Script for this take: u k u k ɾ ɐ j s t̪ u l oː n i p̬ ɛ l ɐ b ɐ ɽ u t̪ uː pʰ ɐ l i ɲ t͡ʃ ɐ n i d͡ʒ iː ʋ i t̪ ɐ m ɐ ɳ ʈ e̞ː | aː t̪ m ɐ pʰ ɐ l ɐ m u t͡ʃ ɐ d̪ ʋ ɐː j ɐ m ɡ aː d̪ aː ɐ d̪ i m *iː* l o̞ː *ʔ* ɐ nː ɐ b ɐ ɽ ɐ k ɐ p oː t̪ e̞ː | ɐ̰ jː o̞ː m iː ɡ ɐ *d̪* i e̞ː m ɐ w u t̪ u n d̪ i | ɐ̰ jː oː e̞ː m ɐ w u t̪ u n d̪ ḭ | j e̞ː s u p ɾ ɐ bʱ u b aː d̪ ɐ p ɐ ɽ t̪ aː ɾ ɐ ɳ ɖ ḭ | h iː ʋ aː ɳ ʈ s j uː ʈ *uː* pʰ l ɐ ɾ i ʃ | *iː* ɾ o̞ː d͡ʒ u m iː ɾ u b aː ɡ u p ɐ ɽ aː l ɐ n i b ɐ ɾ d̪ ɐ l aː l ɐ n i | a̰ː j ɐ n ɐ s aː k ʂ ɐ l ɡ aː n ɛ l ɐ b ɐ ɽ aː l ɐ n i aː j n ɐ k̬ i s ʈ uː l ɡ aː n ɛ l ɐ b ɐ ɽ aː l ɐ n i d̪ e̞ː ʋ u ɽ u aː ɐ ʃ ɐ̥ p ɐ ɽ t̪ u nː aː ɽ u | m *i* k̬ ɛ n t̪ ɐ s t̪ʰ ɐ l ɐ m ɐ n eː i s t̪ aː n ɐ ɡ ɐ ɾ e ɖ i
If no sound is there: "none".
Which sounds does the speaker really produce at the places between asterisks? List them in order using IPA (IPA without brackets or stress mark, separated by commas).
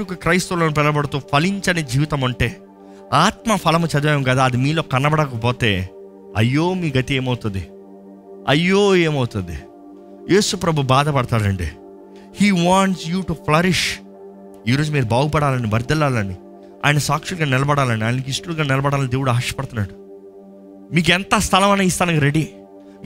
iː, k, t̪, u, iː, iː